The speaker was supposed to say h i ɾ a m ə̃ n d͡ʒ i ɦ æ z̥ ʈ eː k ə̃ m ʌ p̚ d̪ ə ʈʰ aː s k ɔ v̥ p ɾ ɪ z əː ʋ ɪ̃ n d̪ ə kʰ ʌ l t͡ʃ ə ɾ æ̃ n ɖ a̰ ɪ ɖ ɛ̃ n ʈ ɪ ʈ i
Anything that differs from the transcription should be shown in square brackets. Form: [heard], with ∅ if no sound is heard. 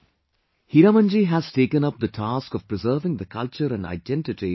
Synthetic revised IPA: h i ɾ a m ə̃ n d͡ʒ i ɦ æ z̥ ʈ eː k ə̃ [n] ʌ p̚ d̪ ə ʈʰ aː s k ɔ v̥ p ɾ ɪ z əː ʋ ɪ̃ [ŋ] d̪ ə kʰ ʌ l t͡ʃ ə ɾ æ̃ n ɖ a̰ ɪ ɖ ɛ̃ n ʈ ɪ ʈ i